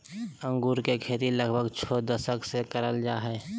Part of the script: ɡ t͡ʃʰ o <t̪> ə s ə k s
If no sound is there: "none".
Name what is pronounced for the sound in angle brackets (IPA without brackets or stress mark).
d̪